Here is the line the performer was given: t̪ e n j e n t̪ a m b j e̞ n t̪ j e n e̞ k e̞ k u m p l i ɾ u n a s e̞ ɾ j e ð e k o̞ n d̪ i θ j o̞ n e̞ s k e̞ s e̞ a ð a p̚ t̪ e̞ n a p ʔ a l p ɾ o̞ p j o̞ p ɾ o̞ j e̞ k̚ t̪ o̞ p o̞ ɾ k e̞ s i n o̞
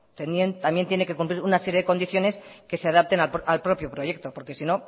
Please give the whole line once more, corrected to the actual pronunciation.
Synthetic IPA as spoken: t̪ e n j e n t̪ a m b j e̞ n t̪ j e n e̞ k e̞ k u m p l i ɾ u n a s e̞ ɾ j e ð e k o̞ n d̪ i θ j o̞ n e̞ s k e̞ s e̞ a ð a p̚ t̪ e̞ n a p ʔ a l p ɾ o̞ p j o̞ p ɾ o̞ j e̞ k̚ t̪ o̞ p o̞ ɾ k e̞ s i n o̞